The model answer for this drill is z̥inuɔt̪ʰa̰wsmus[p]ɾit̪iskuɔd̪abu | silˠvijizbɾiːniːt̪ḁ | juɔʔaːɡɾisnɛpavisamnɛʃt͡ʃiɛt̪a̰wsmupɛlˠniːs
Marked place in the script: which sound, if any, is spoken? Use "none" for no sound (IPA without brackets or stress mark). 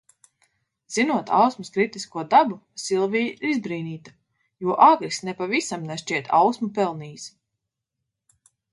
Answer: k